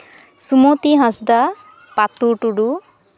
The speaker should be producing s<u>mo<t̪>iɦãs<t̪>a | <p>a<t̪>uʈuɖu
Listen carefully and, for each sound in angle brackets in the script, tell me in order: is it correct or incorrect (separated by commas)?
correct, correct, incorrect, correct, correct